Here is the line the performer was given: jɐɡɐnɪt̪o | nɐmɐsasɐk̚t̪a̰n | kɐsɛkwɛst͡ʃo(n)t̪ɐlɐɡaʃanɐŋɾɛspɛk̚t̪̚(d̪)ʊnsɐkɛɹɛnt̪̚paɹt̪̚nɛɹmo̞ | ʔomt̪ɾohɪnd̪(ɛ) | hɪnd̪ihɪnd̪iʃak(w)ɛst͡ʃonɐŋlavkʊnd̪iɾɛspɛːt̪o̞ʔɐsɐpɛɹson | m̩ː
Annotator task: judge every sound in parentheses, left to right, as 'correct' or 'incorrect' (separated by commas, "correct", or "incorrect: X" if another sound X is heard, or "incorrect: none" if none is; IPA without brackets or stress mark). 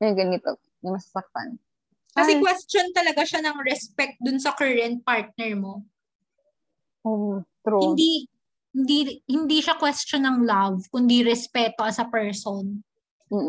correct, correct, incorrect: i, correct